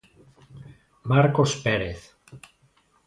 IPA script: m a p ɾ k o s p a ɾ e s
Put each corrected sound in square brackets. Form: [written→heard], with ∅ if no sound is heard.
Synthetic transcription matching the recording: m a [p→∅] ɾ k o s p [a→e] ɾ e [s→θ]